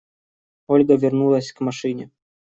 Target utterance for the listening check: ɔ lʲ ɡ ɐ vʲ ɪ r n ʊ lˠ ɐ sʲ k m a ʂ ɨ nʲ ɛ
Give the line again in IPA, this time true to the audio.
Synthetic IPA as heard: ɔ lʲ ɡ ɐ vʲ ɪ r n u lˠ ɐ sʲ k m a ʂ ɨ nʲ ɛ